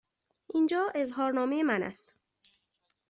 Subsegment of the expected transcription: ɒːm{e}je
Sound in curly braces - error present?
no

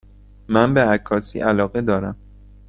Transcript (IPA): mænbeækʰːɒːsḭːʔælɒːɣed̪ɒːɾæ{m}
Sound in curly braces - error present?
no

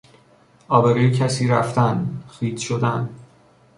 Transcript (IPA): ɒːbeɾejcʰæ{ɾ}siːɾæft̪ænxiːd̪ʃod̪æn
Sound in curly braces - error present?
yes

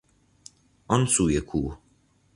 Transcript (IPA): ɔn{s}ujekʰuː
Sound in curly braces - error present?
no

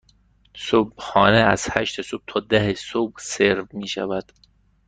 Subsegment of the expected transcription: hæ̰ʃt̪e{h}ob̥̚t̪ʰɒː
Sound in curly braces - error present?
yes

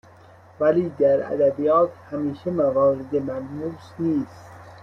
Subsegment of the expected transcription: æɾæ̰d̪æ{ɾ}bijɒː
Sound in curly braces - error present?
yes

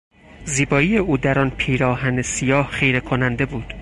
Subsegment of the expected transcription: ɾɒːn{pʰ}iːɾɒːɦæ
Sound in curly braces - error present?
no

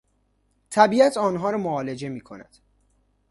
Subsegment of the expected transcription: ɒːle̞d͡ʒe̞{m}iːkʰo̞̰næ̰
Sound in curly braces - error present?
no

